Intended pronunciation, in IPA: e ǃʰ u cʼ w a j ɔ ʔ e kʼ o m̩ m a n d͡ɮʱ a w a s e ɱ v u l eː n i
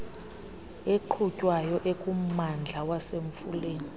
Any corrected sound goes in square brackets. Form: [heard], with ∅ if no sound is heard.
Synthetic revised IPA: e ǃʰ u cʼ w a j ɔ ʔ e kʼ [u] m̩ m a n d͡ɮʱ a w a s e ɱ [f] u l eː n i